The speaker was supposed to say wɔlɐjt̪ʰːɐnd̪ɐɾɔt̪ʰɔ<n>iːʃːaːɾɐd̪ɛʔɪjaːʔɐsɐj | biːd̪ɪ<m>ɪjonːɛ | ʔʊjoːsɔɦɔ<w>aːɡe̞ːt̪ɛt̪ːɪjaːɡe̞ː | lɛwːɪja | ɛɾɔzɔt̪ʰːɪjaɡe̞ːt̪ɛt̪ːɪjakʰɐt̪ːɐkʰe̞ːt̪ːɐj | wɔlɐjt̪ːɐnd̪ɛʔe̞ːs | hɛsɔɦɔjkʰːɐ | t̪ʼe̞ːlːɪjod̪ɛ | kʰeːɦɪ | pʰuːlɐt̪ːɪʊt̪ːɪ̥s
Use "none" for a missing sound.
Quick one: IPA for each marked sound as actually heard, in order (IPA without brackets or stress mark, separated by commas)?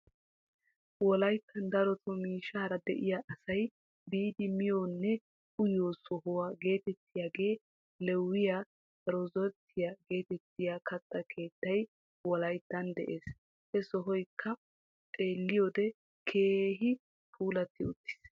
m, m, w